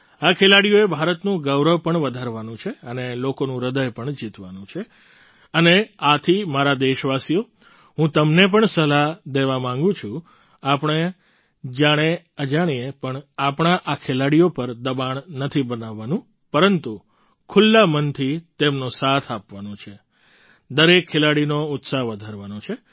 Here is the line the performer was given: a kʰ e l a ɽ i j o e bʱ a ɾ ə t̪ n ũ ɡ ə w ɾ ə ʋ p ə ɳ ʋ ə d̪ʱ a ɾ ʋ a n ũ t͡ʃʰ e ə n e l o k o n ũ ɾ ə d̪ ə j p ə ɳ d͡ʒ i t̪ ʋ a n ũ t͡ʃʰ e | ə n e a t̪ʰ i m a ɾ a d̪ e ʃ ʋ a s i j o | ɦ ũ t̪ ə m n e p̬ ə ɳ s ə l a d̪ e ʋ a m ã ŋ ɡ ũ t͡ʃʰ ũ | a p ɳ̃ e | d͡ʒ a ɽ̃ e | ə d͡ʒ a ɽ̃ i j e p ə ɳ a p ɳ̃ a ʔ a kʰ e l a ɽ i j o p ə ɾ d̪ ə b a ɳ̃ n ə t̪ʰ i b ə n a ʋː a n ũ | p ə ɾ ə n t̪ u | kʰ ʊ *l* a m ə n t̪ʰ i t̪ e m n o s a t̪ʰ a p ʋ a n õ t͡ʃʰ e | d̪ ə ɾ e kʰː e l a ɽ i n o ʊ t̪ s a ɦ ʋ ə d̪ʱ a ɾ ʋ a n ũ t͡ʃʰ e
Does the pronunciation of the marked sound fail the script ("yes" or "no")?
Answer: yes